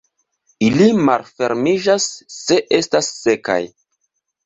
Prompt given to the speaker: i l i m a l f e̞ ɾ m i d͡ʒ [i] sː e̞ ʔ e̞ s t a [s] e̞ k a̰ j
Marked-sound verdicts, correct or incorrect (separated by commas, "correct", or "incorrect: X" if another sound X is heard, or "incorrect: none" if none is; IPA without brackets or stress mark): incorrect: a, incorrect: sː